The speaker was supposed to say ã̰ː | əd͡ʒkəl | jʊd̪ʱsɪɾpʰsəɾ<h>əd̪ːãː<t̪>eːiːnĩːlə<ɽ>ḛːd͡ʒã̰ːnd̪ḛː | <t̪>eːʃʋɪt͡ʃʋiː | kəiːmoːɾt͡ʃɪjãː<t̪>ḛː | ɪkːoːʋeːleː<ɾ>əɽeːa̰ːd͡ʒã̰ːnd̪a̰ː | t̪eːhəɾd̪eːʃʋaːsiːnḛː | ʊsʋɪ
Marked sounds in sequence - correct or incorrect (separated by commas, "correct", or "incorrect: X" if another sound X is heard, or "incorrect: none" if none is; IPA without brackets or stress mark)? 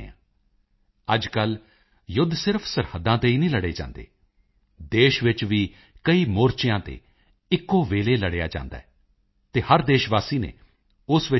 correct, correct, correct, incorrect: d̪, correct, incorrect: l